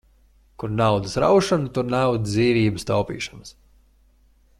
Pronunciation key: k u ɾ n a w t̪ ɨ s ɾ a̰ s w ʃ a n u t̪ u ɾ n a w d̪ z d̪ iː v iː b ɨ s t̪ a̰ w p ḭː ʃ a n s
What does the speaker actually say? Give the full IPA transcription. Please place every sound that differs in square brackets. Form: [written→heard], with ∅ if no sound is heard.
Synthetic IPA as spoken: k u ɾ n a w [t̪→d̪] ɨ s ɾ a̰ [s→∅] w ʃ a n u t̪ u ɾ n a w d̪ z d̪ iː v iː b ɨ s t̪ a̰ w p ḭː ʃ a n s